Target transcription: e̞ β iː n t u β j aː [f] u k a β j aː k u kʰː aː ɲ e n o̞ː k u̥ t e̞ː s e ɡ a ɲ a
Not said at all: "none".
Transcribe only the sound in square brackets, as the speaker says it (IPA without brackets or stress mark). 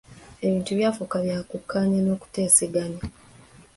f